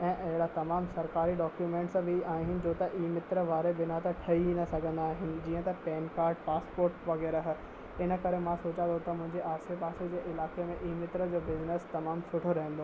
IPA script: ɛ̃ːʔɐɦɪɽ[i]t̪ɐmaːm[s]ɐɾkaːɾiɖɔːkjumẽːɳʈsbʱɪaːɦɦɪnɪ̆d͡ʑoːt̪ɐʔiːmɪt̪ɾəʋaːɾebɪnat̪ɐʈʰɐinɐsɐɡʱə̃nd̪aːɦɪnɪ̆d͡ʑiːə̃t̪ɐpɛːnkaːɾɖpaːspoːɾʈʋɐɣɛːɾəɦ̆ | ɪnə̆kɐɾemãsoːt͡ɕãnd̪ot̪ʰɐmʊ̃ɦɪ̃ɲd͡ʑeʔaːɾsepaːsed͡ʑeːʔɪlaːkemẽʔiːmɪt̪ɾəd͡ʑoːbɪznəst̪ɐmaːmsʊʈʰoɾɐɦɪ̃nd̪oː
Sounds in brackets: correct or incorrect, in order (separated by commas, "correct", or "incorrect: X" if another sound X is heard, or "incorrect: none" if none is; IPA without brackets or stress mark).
incorrect: a, correct